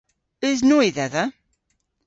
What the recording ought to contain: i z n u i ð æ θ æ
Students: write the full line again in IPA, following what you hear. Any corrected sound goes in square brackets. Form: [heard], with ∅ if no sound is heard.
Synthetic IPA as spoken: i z n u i ð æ [ð] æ